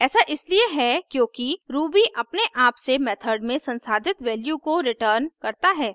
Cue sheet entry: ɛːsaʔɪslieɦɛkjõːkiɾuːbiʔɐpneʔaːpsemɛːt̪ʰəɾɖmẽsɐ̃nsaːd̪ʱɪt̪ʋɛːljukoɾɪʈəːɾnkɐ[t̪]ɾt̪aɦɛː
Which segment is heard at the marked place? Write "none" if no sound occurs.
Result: none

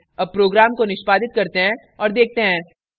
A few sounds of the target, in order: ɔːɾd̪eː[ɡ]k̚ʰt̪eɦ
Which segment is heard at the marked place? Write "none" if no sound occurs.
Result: none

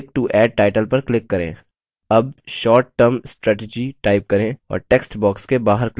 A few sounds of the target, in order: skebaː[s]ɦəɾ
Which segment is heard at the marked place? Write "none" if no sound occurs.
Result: none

